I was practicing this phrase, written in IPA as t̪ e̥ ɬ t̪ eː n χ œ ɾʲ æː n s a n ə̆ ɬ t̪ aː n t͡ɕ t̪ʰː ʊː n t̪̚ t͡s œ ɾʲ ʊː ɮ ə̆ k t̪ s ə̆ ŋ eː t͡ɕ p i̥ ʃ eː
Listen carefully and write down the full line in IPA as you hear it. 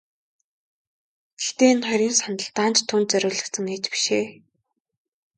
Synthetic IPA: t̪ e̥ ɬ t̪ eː n χ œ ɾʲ iː n s a n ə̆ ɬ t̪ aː n t͡ɕ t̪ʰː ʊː n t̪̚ t͡s œ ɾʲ ʊː ɮ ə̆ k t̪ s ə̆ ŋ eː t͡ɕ p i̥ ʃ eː